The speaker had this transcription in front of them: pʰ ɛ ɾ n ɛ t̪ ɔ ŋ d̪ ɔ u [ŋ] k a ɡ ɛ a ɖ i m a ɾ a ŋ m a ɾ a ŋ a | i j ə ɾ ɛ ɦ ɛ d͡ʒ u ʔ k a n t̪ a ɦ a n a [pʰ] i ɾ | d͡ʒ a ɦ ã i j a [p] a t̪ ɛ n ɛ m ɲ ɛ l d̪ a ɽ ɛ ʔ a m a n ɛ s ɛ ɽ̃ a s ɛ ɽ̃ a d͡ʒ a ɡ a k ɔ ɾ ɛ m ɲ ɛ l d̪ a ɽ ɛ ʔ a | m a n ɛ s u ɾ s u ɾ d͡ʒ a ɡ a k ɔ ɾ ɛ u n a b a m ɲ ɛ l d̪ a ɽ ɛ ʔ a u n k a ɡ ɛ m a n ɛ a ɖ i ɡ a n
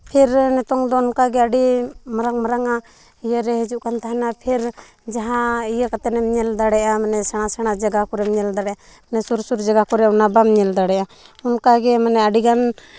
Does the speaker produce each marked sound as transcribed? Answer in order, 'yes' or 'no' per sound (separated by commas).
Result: no, yes, no